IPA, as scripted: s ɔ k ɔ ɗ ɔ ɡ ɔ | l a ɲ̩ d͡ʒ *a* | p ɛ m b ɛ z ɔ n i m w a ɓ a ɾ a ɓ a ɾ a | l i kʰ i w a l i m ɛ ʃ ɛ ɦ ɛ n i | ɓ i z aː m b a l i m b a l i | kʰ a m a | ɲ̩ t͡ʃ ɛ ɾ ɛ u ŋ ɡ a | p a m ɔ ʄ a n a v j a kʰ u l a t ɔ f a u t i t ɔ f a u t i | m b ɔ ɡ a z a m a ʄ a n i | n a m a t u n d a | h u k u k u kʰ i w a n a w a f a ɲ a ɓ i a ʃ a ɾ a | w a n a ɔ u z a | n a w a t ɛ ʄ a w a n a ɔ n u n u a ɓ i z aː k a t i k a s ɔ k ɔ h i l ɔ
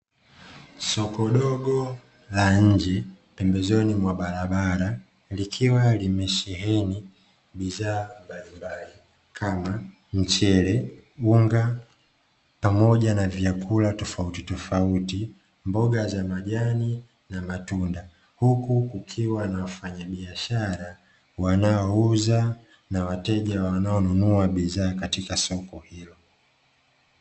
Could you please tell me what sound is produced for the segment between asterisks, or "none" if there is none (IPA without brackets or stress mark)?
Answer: ɛ